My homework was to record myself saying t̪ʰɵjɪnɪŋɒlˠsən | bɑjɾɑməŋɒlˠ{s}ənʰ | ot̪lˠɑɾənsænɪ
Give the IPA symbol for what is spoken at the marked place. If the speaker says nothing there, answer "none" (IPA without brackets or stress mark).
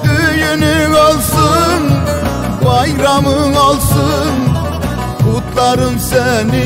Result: s